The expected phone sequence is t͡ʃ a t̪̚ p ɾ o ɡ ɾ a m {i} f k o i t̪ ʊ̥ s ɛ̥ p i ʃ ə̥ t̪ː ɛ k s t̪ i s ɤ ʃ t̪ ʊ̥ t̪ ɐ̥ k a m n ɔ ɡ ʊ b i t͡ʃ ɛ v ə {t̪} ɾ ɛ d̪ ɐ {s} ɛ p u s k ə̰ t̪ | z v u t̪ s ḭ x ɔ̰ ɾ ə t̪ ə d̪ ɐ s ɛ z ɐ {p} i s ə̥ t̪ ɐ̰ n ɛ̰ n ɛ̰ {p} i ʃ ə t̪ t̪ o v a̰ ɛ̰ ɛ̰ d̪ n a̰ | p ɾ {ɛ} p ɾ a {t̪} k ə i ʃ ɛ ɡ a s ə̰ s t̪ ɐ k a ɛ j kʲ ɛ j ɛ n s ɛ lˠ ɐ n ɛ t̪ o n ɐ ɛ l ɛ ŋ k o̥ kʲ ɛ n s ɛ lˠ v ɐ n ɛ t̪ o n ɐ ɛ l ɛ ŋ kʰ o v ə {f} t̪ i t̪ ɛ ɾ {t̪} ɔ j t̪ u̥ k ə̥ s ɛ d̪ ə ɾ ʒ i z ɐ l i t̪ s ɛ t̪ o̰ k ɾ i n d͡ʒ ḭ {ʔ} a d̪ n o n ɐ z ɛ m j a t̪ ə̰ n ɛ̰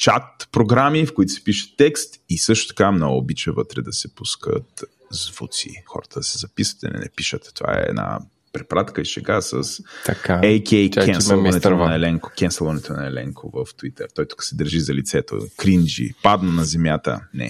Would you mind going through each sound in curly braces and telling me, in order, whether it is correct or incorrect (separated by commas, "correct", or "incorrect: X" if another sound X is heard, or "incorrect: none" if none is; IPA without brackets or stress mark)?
correct, correct, correct, correct, correct, correct, correct, correct, correct, incorrect: p